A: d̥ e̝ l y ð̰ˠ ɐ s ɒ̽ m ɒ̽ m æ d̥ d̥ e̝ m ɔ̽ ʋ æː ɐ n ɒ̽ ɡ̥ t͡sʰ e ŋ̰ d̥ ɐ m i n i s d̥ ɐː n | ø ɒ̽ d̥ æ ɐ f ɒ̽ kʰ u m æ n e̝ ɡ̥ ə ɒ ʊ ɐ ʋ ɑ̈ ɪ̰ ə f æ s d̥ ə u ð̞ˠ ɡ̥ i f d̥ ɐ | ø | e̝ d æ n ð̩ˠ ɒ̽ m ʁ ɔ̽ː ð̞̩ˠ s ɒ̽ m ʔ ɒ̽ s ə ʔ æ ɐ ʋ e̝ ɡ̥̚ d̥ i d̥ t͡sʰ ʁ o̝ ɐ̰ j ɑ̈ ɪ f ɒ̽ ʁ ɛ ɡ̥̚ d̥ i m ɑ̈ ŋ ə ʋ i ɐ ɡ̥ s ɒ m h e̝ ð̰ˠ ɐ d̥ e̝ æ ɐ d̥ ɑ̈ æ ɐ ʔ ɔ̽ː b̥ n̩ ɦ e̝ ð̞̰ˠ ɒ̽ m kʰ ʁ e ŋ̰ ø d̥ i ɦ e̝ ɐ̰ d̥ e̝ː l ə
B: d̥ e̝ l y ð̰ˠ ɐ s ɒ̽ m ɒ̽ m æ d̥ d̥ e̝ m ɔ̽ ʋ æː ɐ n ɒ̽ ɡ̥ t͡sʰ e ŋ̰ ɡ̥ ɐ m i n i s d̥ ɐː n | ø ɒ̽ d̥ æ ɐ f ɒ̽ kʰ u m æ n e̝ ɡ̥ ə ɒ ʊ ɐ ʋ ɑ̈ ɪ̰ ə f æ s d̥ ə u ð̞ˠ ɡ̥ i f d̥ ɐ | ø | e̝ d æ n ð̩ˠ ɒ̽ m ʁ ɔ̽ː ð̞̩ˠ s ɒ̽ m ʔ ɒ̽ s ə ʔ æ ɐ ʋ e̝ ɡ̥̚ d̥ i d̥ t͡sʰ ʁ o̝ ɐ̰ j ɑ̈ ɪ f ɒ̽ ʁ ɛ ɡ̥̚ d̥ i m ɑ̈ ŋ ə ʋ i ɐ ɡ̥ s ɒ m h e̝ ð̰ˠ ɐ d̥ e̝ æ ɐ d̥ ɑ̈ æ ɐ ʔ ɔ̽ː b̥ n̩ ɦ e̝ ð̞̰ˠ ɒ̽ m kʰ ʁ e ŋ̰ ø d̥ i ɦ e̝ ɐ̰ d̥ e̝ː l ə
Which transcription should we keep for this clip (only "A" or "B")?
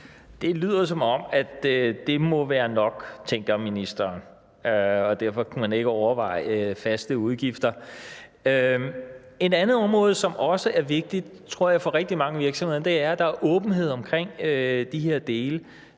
B